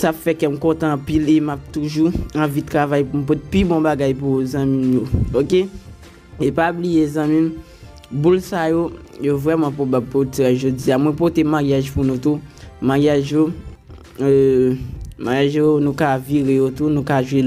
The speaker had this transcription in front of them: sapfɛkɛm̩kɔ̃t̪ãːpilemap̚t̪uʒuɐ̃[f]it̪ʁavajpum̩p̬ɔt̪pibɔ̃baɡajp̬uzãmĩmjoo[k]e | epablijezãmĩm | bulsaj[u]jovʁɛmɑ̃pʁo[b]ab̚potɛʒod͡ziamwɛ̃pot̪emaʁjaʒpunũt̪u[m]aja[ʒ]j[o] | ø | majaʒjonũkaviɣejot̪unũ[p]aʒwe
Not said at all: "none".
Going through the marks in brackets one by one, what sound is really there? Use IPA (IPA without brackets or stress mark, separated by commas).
v, k, o, b, m, ʒ, o, k